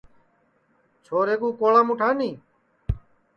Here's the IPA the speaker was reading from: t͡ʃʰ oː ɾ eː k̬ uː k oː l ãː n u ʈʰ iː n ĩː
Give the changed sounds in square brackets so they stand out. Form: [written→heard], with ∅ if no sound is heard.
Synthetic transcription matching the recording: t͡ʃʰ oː ɾ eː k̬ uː k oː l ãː [n→m] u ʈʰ [iː→aː] n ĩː

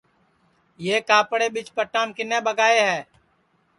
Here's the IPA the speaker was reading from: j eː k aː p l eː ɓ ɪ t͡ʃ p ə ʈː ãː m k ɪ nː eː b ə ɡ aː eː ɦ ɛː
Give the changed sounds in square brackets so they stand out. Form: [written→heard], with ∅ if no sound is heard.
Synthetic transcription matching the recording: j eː k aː p [l→ɽ] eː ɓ ɪ t͡ʃ p ə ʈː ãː m k ɪ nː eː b ə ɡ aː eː ɦ ɛː

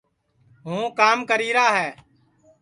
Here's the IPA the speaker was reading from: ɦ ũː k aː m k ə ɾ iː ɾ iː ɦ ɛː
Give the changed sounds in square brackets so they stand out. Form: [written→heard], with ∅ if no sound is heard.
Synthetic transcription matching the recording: ɦ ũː k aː m k ə ɾ iː ɾ [iː→aː] ɦ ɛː

